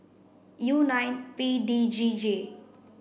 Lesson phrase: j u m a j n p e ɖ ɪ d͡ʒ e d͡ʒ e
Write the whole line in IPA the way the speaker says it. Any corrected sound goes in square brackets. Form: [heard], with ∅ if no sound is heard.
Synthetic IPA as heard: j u [n] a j n p [i] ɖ [i] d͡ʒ [i] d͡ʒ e